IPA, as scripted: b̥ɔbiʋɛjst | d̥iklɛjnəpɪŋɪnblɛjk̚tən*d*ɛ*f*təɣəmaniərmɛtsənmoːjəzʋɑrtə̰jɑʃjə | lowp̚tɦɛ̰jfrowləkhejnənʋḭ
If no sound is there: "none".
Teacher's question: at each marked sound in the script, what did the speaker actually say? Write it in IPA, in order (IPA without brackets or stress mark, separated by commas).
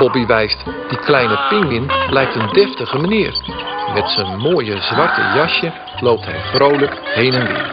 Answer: d, f